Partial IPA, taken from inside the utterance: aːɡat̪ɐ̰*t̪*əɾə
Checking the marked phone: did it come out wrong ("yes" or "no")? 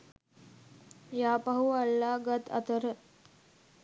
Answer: no